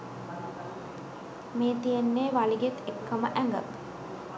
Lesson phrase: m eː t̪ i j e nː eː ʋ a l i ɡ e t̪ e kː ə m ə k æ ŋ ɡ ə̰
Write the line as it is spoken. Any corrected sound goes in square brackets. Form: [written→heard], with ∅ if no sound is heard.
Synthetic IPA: m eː t̪ i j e nː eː ʋ a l i ɡ e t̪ e kː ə m ə [k→ʔ] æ ŋ ɡ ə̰